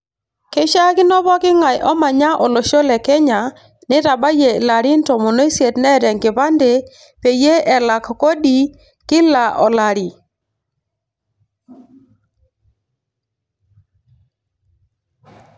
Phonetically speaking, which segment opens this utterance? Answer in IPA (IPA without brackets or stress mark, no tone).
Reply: k